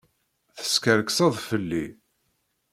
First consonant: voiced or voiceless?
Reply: voiceless